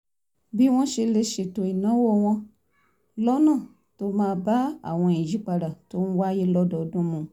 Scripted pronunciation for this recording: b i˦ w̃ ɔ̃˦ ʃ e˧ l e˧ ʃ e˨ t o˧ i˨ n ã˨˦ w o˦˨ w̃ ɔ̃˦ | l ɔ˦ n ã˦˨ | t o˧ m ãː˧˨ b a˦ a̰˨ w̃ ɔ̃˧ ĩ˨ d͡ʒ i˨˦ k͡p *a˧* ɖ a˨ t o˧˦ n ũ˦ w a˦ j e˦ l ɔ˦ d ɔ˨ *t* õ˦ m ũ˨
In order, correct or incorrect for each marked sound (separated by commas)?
correct, incorrect